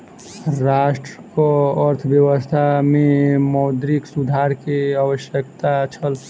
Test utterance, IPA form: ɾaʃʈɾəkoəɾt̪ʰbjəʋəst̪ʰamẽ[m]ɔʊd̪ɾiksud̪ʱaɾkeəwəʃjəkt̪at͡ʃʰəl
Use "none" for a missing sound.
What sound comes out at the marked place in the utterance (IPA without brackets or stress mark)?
m